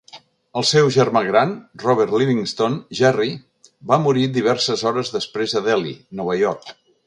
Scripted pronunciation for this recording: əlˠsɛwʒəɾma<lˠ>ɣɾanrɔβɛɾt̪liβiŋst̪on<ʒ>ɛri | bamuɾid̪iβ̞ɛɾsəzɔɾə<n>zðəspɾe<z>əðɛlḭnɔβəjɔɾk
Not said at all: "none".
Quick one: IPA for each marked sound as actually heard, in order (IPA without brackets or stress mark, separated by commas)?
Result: none, ʒ, none, z